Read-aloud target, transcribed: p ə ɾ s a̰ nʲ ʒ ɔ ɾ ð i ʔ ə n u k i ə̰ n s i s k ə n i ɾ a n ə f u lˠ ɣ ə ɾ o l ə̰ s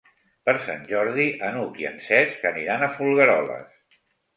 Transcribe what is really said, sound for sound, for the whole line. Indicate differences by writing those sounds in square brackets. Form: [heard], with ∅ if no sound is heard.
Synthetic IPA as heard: p ə ɾ s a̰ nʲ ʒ ɔ ɾ ð i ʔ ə n u k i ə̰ n s [ɛ] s k ə n i ɾ a n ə f u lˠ ɣ ə ɾ [ɔ] l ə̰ s